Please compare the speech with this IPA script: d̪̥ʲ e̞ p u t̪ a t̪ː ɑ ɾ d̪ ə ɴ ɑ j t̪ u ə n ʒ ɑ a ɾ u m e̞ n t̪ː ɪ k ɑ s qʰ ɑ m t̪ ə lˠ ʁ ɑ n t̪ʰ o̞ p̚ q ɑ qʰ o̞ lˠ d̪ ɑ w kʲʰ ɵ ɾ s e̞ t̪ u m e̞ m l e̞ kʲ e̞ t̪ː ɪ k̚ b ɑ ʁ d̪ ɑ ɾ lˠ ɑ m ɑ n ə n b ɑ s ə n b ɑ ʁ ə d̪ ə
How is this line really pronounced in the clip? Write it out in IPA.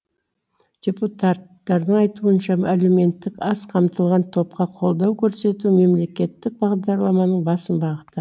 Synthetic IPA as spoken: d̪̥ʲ e̞ p u t̪ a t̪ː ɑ ɾ d̪ ə ɴ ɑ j t̪ u ə n ʃ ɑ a l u m e̞ n t̪ː ɪ k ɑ s qʰ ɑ m t̪ ə lˠ ʁ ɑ n t̪ʰ o̞ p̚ q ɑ qʰ o̞ lˠ d̪ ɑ w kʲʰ ɵ ɾ s e̞ t̪ u m e̞ m l e̞ kʲ e̞ t̪ː ɪ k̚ b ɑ ʁ d̪ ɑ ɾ lˠ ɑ m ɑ n ə ɴ b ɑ s ə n b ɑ ʁ ə t̪ ə